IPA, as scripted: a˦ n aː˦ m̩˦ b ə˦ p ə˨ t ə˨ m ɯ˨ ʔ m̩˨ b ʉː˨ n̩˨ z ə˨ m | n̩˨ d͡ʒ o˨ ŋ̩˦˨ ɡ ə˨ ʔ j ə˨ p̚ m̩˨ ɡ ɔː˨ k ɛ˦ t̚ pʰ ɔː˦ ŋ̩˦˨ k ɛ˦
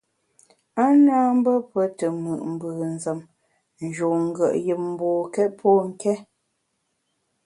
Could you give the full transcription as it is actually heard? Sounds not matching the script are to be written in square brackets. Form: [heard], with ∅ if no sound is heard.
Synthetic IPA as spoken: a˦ n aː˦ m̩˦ b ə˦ p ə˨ t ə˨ m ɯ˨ ʔ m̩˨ b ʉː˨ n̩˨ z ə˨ m | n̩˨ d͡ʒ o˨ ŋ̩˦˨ ɡ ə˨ ʔ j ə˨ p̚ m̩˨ [b] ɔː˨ k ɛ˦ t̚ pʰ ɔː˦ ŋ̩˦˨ k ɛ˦